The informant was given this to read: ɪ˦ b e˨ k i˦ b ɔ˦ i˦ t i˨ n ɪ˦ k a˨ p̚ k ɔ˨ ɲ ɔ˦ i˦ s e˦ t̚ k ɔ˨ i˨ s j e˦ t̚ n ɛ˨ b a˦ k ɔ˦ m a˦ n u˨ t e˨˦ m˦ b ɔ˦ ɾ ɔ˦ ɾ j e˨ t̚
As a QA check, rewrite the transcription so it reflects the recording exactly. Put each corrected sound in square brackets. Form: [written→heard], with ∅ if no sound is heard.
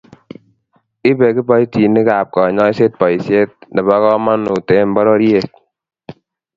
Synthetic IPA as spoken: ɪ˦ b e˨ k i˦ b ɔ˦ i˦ t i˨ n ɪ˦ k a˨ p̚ k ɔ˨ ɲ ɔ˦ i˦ s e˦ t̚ [k→p] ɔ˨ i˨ s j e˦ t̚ n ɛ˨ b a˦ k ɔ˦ m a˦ n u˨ t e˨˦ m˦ b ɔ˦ ɾ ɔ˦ ɾ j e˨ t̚